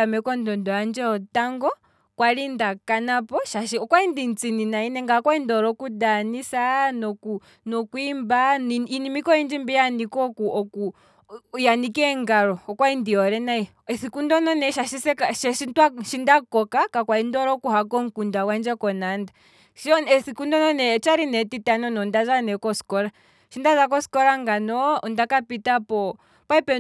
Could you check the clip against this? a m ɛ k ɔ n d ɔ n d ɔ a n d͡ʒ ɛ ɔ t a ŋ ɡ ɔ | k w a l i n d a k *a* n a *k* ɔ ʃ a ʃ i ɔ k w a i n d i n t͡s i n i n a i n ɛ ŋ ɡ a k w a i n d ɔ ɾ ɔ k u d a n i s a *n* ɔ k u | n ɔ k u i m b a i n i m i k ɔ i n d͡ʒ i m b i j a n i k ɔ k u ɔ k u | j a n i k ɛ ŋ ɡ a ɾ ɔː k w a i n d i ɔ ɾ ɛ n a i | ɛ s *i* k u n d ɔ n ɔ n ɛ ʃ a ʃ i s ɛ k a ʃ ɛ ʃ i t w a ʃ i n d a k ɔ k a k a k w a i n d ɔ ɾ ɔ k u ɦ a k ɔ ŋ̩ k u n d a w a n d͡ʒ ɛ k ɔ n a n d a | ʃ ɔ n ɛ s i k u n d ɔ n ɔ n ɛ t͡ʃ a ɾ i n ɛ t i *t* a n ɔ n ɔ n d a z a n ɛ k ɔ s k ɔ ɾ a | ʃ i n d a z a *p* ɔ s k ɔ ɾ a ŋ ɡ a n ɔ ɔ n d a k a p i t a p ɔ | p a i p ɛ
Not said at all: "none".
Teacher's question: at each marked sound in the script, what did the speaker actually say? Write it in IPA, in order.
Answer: a, p, n, i, t, k

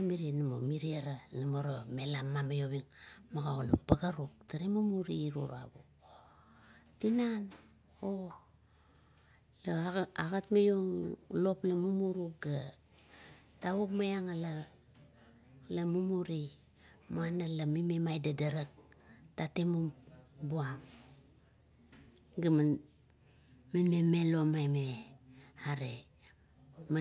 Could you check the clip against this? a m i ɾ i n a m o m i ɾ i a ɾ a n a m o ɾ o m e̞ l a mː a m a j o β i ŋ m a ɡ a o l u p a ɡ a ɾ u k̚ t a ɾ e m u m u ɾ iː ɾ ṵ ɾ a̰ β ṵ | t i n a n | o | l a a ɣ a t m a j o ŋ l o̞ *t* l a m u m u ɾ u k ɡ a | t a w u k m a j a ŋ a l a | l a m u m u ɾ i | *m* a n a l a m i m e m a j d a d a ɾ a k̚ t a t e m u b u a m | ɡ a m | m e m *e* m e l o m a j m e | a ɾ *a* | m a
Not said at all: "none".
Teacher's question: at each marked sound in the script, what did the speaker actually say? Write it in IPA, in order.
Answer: p, m, e, e

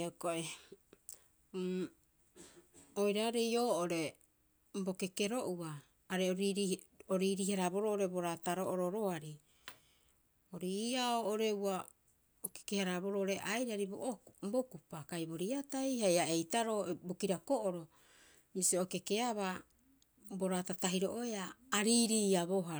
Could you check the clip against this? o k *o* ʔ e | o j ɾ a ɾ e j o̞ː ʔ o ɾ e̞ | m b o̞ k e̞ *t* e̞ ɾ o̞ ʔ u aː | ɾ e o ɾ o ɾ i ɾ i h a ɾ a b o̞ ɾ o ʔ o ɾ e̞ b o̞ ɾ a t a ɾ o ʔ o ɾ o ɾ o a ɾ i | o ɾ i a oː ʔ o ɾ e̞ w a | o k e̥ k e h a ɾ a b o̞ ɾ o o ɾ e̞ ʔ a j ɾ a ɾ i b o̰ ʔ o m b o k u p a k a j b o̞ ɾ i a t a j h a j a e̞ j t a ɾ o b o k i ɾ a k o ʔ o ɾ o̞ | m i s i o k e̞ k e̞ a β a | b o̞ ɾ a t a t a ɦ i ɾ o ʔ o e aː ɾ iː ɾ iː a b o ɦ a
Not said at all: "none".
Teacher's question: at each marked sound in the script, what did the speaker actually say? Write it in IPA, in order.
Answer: o, k

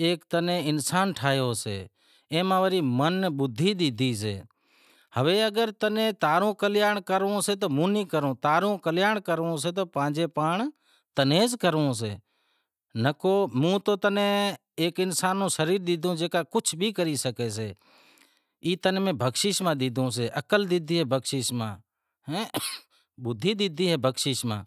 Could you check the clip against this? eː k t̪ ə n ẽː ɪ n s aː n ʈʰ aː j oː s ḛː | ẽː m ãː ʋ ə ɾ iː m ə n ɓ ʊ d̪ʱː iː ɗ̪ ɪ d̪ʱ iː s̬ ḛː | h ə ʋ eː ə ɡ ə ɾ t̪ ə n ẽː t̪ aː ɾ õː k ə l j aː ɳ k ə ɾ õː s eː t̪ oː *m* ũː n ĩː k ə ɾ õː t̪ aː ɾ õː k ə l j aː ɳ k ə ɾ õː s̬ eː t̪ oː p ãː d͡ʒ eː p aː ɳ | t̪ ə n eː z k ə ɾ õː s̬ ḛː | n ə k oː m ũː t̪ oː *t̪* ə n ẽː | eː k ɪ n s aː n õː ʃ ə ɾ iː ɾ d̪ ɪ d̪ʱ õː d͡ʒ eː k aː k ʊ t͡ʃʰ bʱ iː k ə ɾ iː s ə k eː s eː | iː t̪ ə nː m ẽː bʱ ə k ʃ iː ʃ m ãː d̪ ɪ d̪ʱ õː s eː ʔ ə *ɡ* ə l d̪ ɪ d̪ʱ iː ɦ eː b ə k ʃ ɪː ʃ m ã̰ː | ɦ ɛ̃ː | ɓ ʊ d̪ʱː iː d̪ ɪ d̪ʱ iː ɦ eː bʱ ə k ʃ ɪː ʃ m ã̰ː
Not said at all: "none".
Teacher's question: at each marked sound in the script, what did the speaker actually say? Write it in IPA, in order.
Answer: m, t̪, k

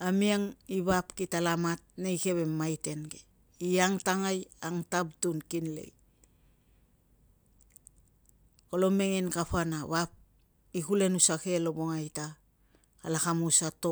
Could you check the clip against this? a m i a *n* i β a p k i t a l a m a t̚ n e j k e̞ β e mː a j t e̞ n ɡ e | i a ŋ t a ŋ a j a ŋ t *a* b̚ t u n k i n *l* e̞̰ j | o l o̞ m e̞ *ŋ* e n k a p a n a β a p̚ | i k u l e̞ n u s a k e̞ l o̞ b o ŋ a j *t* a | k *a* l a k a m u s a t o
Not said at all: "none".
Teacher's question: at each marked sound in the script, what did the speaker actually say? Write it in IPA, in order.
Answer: ŋ, a, l, ŋ, t, a

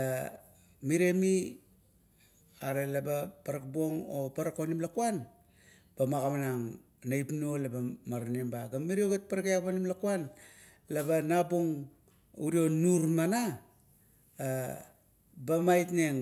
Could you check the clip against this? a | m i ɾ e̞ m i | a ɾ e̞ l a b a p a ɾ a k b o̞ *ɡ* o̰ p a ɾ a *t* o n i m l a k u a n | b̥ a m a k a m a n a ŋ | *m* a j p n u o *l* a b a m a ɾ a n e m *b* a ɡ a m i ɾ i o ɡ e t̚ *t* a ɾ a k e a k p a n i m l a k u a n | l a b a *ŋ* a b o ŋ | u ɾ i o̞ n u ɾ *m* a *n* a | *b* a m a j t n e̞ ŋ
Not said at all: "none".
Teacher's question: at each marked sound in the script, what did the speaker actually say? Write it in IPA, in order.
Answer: ŋ, k, n, l, b, p, n, m, n, b

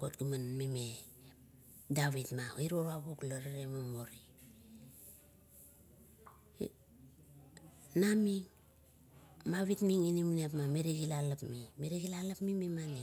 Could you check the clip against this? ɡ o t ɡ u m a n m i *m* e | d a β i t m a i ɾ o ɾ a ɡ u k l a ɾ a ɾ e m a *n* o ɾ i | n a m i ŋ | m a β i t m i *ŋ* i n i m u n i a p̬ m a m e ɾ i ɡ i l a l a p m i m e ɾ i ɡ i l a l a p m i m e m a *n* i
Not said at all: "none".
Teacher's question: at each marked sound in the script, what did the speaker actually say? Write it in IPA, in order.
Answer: m, m, ŋ, n

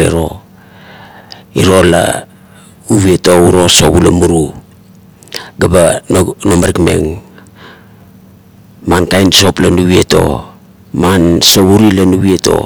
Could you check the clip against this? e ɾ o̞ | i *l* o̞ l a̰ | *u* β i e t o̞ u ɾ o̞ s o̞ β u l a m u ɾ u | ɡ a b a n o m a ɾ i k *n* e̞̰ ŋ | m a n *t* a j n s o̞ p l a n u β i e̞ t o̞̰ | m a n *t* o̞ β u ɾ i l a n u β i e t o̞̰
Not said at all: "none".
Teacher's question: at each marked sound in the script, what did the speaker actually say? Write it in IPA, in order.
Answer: ɾ, u, m, k, s

